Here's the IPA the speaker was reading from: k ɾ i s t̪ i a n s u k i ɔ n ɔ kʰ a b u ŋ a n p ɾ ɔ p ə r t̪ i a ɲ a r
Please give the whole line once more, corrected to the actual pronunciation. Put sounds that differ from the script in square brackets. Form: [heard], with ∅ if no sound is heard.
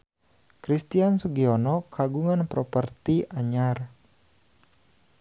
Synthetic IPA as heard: k ɾ i s t̪ i a n s u [ɡ] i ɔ n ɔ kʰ a [ɡ] u ŋ a n p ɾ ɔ p ə r t̪ i a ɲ a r